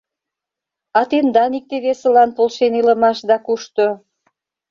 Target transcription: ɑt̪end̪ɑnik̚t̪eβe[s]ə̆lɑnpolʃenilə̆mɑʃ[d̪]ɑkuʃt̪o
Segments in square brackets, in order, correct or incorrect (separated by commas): correct, correct